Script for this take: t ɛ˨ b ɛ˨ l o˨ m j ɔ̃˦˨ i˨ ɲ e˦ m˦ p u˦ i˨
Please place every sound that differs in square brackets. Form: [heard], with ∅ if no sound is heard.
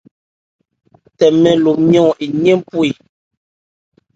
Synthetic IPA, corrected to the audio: t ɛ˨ [m] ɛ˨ l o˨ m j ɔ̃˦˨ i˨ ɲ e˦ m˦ p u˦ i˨